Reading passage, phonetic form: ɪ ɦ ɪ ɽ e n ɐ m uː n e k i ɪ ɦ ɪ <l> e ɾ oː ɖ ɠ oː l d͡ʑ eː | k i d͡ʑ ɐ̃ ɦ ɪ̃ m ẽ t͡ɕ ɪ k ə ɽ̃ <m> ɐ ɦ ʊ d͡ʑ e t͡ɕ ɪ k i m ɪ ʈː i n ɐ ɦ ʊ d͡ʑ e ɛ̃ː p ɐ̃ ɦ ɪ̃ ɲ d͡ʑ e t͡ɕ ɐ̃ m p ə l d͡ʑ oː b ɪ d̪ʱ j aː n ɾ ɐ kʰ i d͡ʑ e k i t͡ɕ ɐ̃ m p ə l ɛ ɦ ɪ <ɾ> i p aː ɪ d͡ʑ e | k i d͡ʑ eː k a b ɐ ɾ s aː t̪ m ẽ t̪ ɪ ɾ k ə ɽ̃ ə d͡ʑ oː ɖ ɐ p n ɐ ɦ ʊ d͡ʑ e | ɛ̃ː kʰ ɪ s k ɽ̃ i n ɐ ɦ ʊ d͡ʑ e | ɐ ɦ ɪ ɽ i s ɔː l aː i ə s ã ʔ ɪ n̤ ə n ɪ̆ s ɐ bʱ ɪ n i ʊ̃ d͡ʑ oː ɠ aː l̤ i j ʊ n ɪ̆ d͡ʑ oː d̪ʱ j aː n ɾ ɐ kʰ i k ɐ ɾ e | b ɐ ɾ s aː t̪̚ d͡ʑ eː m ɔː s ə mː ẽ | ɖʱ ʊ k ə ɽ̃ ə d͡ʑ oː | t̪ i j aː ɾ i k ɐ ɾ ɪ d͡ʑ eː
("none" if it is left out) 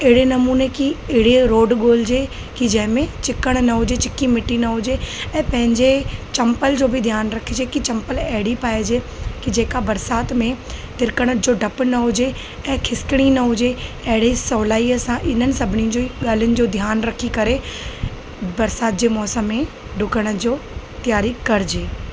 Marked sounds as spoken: ɽ, n, ɽ

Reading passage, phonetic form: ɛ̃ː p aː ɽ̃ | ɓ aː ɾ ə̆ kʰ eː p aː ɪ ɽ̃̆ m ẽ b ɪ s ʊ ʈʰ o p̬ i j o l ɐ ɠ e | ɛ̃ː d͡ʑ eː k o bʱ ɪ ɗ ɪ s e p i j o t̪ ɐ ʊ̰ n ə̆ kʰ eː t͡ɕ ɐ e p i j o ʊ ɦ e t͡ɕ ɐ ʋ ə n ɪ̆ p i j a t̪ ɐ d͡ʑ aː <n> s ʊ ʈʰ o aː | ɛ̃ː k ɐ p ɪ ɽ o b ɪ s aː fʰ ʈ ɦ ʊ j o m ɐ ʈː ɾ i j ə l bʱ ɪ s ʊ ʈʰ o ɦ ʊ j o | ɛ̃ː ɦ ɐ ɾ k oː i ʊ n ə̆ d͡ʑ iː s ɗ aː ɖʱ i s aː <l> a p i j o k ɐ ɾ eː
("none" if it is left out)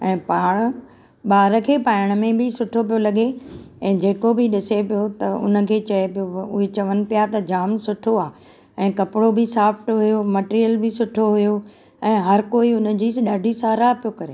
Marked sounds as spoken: m, ɾ

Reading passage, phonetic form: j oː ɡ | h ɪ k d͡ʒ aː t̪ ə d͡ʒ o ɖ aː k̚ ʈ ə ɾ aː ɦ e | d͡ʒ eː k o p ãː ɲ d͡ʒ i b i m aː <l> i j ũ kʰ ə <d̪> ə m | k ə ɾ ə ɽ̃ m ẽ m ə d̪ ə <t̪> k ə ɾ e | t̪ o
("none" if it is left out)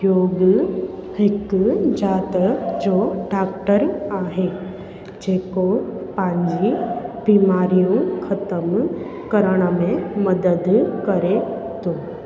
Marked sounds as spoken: ɾ, t̪, d̪

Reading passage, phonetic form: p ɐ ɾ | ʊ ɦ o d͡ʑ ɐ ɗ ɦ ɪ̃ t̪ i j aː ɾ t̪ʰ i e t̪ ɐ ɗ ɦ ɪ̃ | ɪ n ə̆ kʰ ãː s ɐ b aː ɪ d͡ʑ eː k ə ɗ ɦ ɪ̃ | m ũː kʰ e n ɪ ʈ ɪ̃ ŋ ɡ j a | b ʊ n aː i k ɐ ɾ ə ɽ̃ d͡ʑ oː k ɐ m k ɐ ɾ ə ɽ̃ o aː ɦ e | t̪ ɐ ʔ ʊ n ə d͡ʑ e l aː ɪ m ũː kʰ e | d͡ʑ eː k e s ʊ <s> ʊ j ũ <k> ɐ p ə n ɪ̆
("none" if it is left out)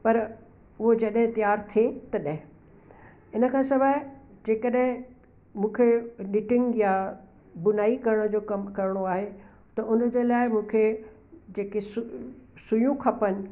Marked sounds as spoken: s, kʰ

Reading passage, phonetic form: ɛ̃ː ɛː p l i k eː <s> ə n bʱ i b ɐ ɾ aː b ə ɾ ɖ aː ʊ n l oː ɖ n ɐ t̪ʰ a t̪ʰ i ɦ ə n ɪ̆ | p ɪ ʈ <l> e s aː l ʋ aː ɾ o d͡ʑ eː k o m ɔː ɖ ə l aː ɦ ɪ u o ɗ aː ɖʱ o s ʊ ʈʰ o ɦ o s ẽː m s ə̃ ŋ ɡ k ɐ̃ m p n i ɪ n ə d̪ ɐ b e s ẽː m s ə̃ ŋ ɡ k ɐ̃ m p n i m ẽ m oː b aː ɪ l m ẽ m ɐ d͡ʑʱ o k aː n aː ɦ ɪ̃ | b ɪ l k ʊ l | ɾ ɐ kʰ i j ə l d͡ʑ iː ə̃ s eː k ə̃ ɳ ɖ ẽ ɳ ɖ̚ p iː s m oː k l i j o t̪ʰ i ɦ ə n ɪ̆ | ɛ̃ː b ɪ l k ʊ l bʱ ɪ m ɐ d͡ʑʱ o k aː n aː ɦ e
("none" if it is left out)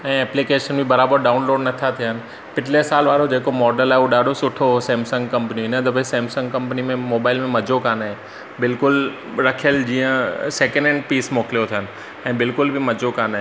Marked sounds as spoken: ʃ, l

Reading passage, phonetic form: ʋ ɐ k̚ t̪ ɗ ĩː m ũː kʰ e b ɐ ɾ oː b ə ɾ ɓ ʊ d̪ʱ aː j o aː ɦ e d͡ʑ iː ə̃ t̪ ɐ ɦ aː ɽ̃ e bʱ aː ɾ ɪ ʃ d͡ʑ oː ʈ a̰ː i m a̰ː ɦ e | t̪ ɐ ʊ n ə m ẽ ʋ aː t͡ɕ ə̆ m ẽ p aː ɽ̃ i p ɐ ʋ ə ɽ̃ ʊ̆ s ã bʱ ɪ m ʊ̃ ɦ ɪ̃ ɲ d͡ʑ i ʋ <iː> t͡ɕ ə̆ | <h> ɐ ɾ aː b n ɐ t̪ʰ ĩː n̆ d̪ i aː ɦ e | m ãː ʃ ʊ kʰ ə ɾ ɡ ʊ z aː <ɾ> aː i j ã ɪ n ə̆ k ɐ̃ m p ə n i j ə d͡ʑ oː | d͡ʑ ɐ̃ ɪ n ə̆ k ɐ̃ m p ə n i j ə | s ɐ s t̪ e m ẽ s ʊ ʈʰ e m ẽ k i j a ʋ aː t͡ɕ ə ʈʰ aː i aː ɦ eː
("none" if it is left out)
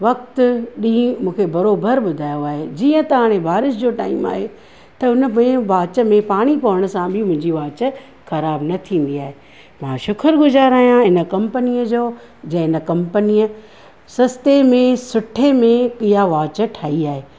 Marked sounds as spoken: aː, x, ɾ

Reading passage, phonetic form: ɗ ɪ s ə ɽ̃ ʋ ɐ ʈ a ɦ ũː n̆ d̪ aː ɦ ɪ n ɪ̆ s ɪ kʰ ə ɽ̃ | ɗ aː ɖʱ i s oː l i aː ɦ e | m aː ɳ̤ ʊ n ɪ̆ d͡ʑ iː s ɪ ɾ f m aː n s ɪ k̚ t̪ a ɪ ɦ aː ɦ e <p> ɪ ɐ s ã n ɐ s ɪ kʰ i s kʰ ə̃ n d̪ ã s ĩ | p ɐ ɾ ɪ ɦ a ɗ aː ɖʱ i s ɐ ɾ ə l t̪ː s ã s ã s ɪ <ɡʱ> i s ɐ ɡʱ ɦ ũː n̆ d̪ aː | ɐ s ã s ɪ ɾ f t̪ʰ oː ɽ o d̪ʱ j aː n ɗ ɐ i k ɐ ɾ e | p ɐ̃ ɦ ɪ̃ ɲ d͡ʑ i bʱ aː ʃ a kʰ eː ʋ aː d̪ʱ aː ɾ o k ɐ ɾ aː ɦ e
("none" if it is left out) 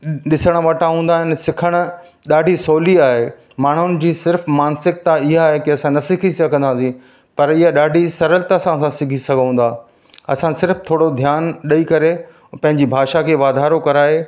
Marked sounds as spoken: k, ɡʱ

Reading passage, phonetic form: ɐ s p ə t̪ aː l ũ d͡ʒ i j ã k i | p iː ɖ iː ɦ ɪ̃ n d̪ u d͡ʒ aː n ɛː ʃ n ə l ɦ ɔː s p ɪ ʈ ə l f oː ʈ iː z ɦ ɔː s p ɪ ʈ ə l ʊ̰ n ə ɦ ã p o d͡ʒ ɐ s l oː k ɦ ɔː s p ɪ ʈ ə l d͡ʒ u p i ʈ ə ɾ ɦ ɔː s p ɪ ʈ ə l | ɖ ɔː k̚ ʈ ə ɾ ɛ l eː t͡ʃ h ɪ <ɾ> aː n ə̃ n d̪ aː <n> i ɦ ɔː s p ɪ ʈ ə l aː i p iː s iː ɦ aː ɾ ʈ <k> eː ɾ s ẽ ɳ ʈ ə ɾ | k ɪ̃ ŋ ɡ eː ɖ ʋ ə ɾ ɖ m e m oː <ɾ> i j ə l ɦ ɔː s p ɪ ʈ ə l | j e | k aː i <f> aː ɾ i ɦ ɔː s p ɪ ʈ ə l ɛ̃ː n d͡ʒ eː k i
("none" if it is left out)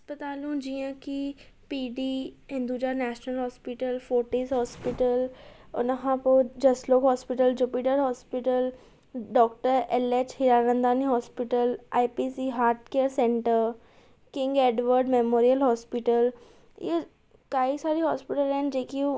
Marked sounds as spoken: ɾ, n, k, ɾ, s

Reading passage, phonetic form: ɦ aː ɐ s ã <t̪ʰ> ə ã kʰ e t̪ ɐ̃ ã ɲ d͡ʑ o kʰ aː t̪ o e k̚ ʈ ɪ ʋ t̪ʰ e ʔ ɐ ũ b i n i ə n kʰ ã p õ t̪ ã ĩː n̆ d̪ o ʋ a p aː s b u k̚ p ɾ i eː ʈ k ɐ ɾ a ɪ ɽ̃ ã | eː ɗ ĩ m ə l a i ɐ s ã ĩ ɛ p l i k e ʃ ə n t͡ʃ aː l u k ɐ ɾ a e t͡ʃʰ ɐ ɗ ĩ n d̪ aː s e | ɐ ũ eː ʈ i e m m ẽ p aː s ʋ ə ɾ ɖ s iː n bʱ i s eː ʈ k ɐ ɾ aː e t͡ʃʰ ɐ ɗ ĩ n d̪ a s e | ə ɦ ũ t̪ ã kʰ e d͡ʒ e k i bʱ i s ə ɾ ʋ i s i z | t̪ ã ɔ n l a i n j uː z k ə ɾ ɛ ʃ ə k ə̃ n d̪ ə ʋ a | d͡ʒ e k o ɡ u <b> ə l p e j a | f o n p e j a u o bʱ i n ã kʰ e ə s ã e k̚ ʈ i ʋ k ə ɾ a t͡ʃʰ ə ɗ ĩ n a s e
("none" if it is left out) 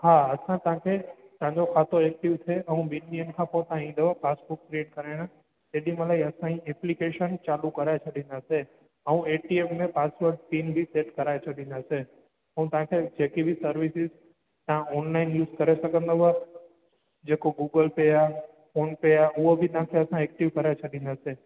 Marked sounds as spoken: t̪, ɡ

